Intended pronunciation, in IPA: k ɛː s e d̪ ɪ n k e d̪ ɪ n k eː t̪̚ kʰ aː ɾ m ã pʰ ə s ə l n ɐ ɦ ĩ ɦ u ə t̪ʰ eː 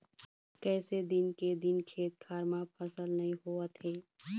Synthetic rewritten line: k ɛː s e d̪ ɪ n k e d̪ ɪ n kʰ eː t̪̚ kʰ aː ɾ m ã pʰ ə s ə l n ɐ ɦ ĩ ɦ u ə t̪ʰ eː